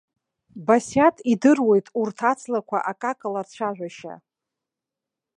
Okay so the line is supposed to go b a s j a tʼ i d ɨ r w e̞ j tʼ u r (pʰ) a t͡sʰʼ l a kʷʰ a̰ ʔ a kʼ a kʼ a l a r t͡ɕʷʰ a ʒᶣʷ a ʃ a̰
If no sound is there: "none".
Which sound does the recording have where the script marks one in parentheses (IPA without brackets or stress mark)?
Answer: tʰ